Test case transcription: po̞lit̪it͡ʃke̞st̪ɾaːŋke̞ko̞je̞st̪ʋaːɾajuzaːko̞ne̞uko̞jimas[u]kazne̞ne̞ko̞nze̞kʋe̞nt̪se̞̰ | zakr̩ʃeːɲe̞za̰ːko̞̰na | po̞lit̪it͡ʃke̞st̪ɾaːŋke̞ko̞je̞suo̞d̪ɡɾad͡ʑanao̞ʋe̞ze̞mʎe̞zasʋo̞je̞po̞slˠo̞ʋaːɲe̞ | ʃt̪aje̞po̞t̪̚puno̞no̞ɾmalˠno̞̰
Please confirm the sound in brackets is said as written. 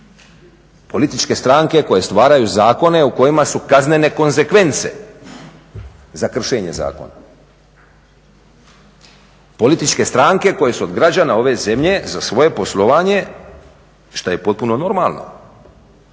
yes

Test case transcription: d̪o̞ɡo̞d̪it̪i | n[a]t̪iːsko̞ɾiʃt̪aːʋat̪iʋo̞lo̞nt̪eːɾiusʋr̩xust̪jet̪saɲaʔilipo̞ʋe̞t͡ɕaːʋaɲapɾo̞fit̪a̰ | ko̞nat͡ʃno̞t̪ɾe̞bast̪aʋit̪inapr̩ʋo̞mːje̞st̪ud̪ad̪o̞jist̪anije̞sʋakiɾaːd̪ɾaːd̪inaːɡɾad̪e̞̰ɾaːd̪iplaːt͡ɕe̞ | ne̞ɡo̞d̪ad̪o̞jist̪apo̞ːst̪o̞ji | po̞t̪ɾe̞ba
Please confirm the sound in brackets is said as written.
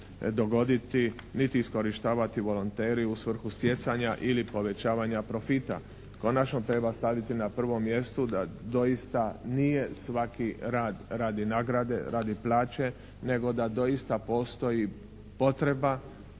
no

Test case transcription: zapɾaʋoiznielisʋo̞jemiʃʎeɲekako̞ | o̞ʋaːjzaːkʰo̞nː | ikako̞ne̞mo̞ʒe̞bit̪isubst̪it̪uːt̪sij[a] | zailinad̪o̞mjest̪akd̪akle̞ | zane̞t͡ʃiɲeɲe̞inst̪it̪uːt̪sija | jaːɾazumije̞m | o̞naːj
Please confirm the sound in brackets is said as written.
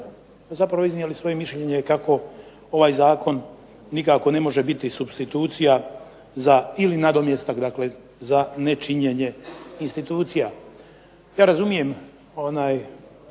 yes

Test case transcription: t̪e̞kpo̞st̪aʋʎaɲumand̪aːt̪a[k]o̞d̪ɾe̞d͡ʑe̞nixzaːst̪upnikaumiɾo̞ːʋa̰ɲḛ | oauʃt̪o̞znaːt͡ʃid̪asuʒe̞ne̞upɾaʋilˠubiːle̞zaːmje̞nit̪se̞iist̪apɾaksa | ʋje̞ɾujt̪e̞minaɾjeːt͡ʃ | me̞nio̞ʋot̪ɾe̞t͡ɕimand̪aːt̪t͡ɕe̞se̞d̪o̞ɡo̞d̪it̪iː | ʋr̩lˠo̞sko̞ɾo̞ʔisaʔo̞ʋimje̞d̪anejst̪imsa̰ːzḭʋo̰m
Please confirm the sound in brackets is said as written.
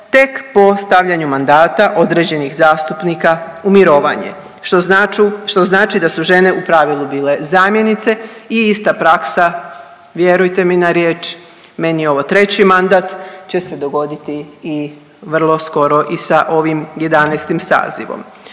no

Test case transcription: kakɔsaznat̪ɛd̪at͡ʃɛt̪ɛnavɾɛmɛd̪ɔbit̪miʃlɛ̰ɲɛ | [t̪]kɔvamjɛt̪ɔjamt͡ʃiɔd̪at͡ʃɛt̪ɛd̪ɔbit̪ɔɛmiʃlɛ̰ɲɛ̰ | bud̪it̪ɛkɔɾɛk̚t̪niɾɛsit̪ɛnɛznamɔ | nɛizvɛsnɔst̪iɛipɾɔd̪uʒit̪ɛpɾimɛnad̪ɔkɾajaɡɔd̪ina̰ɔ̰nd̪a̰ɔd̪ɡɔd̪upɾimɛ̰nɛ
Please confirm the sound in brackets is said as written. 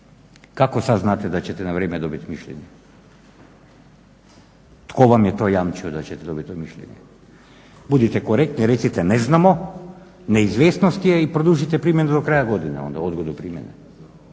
yes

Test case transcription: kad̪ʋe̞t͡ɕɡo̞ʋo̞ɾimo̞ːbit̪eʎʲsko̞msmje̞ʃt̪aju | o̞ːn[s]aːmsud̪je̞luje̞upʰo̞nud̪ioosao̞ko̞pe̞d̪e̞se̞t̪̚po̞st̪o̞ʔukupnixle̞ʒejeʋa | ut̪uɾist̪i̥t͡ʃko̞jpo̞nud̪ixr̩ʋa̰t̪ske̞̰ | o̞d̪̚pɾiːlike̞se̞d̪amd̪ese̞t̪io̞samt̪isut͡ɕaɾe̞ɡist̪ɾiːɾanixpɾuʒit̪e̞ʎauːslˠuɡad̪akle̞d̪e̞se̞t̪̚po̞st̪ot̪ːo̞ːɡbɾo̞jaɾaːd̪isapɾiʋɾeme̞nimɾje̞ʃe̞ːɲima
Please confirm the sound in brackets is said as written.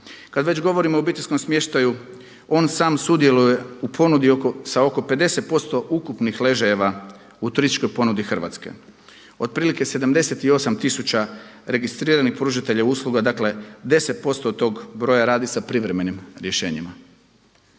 yes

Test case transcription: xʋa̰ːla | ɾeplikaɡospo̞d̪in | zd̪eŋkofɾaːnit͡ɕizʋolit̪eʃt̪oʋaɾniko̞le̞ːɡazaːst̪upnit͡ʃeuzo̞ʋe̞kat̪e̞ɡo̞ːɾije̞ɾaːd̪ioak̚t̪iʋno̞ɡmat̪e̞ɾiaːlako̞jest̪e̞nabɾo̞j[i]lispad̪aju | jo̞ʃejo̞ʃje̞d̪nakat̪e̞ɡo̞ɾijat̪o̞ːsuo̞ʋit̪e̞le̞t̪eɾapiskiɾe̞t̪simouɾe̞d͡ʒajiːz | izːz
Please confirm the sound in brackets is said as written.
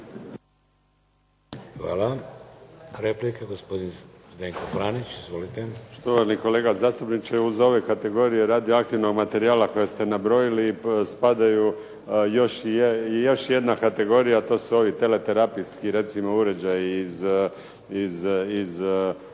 yes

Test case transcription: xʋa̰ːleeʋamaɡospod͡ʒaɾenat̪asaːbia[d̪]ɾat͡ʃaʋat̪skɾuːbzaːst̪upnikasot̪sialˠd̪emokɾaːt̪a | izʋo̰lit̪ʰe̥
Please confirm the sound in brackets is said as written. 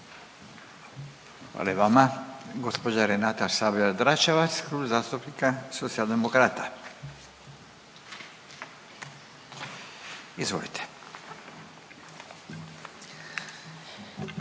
yes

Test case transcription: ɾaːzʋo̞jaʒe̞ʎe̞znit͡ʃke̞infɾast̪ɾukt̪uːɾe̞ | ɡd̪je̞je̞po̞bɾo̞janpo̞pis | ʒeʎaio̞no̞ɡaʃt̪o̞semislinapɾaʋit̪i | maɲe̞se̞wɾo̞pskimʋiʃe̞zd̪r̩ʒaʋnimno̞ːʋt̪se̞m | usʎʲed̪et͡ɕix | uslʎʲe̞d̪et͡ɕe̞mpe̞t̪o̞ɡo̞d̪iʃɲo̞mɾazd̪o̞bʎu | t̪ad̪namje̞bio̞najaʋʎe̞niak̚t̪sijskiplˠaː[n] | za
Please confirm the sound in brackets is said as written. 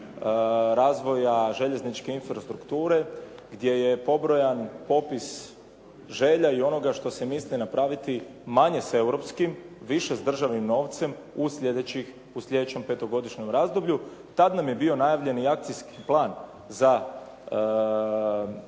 yes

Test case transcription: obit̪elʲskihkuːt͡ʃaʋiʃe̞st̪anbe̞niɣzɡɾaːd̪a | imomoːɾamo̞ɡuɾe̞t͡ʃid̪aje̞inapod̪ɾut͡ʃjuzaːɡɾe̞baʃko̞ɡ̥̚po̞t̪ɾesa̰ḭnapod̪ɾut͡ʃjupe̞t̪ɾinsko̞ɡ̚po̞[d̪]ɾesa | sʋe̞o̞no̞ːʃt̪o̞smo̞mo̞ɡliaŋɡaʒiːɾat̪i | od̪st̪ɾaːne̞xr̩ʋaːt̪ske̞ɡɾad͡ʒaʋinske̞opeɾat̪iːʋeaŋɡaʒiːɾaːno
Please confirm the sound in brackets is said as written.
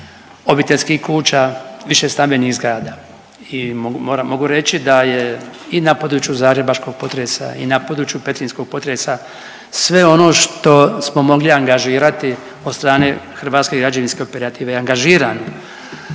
no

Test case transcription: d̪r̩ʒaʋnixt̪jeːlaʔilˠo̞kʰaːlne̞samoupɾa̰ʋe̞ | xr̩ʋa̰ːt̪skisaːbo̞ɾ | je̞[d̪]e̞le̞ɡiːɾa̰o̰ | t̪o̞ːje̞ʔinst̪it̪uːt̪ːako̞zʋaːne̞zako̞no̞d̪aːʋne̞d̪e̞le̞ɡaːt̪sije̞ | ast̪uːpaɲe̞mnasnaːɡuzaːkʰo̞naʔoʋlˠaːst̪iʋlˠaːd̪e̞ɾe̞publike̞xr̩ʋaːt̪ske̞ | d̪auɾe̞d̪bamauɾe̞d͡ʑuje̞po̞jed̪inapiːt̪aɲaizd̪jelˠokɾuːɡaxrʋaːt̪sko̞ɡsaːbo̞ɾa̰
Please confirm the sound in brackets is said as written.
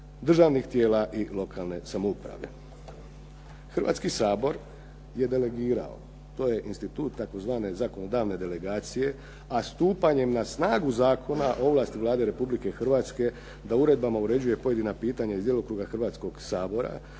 yes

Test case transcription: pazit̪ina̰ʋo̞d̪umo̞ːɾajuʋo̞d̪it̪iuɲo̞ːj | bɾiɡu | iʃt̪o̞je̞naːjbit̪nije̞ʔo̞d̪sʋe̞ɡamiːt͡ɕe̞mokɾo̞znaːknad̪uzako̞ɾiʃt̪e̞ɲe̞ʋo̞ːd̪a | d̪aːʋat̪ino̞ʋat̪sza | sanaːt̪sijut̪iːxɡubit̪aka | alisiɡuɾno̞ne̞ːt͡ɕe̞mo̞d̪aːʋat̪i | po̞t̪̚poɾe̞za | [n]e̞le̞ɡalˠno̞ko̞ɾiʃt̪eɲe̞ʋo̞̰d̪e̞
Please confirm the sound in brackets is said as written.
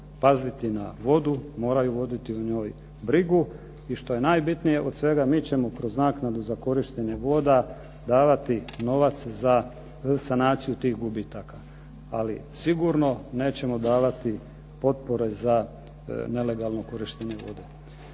yes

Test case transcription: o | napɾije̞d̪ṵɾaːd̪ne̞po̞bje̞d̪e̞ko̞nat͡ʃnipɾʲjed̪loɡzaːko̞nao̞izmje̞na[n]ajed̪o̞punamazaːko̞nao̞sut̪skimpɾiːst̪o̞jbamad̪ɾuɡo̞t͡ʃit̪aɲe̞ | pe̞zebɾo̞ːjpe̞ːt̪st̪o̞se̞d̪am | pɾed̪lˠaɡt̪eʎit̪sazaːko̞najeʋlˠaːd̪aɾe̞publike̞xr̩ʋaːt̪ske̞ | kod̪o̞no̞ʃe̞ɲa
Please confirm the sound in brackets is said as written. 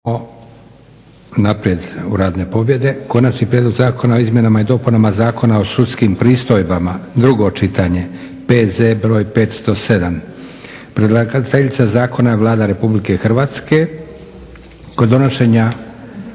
no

